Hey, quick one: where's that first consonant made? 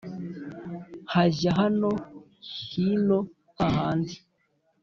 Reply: throat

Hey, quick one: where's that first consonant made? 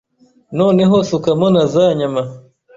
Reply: tongue tip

